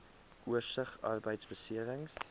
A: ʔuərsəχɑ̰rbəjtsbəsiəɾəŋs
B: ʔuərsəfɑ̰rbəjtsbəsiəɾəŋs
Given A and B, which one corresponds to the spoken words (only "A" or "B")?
A